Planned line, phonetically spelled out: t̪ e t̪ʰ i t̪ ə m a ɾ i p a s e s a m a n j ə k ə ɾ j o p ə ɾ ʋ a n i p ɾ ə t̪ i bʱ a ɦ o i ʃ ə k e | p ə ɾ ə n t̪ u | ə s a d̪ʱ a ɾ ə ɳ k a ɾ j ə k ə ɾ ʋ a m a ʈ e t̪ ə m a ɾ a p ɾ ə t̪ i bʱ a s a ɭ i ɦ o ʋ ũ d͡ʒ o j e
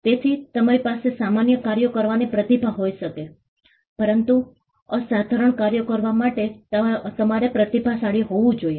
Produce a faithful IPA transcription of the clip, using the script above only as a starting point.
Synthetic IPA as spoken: t̪ e t̪ʰ i t̪ ə m a ɾ i p a s e s a m a n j ə k a ɾ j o k ə ɾ ʋ a n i p ɾ ə t̪ i bʱ a ɦ o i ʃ ə k e | p ə ɾ ə n t̪ u | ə s a d̪ʱ a ɾ ə ɳ k a ɾ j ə k ə ɾ ʋ a m a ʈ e t̪ ə m a ɾ e p ɾ ə t̪ i bʱ a s a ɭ i ɦ o ʋ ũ d͡ʒ o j e